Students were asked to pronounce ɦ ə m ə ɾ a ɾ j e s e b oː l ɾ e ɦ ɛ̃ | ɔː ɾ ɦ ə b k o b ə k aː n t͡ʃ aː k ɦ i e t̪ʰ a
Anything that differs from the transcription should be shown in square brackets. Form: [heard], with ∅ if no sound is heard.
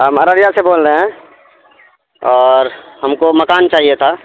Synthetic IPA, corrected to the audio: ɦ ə m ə ɾ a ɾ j [a] s e b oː l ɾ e ɦ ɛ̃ | ɔː ɾ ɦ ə [m] k o [m] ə k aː n t͡ʃ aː [∅] ɦ i e t̪ʰ a